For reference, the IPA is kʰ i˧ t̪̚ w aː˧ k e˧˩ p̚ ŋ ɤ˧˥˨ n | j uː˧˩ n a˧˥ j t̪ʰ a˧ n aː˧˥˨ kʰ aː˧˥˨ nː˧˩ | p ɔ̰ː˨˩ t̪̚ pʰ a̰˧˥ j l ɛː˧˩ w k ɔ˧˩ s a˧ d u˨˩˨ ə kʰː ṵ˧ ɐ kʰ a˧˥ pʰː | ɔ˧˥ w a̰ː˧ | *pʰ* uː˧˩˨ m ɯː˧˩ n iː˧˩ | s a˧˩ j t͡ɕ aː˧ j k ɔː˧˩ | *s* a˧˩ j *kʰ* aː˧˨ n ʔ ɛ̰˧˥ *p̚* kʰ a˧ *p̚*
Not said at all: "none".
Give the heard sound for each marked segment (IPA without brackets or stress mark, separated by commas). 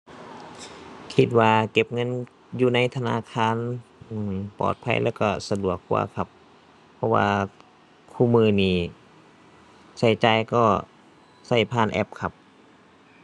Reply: kʰ, s, pʰ, p̚, p̚